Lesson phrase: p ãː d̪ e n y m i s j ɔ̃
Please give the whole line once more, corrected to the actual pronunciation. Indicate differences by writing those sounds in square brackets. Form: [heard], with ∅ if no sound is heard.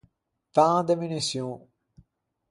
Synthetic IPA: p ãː d̪ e [m] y [n] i s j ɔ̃